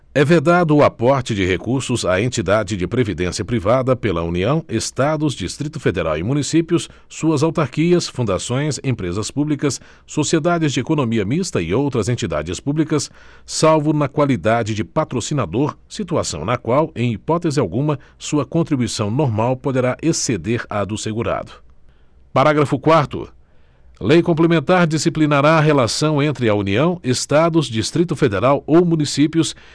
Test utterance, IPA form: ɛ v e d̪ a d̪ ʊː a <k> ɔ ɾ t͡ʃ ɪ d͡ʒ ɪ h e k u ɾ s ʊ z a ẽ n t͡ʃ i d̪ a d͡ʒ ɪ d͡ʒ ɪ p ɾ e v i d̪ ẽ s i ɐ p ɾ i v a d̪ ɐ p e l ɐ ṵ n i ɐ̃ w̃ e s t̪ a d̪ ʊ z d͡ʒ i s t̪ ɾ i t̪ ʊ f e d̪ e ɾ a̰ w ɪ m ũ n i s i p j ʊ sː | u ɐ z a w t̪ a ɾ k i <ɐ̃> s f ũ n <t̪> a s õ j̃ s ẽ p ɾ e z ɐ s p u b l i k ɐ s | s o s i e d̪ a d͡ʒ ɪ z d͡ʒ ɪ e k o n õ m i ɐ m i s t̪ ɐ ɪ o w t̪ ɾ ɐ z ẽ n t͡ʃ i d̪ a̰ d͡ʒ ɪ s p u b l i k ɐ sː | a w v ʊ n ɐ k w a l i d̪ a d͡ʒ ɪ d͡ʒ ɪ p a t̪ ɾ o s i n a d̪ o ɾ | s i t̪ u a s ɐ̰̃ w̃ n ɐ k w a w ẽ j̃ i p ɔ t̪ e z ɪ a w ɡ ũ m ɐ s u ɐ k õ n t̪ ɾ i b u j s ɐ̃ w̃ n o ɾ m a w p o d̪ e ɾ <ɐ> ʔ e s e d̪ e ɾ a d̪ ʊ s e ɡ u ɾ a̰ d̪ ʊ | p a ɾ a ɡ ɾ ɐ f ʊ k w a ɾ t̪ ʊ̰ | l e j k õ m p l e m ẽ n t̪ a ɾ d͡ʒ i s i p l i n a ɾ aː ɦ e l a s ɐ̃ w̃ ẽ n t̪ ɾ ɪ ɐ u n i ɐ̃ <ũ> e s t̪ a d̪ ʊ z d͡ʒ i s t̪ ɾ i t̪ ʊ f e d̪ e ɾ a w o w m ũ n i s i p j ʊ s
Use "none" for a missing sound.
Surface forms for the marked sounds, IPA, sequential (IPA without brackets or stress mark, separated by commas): p, ɐ, d̪, a, w̃